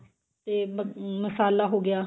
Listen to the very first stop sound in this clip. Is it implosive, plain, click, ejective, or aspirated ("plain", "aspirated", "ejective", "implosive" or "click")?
plain